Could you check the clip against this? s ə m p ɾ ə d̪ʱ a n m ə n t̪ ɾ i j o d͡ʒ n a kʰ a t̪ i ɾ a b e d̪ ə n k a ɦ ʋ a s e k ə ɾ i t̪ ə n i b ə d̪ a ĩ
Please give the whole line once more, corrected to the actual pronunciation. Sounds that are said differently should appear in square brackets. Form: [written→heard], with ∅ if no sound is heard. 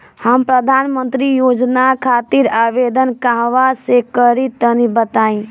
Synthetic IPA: [s→h] ə m p ɾ ə d̪ʱ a n m ə n t̪ ɾ i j o d͡ʒ n a kʰ a t̪ i ɾ a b e d̪ ə n k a ɦ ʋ a s e k ə ɾ i t̪ ə n i b ə [d̪→t̪] a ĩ